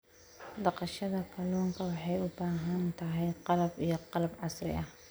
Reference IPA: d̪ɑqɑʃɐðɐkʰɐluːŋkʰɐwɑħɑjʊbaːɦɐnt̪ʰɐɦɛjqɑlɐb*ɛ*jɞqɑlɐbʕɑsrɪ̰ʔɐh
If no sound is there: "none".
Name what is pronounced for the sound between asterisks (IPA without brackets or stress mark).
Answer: i